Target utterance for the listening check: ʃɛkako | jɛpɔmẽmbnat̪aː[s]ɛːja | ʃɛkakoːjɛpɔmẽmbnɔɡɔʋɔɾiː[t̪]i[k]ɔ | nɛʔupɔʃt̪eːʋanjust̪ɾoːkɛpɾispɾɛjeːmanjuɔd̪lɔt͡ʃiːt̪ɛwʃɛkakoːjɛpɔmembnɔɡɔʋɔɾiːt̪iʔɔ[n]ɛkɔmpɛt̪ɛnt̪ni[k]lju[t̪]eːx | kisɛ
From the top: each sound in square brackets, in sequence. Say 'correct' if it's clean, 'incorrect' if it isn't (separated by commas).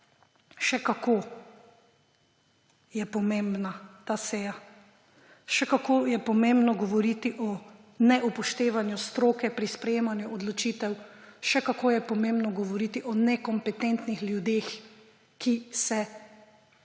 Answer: correct, correct, incorrect, correct, incorrect, incorrect